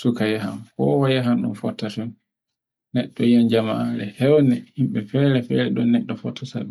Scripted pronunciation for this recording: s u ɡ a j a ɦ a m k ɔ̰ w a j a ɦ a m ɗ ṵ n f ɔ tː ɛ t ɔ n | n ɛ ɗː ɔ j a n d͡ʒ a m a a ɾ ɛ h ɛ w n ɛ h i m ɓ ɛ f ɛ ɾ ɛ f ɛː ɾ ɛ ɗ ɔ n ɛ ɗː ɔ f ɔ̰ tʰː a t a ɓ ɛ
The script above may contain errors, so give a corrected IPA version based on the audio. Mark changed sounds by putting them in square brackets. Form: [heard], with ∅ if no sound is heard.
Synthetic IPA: s u [k] a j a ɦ a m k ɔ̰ w a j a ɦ a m ɗ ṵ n f ɔ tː [a] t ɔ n | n ɛ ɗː ɔ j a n d͡ʒ a m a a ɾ ɛ h ɛ w n ɛ h i m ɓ ɛ f ɛ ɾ ɛ f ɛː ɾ ɛ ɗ ɔ n ɛ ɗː ɔ f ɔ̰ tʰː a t a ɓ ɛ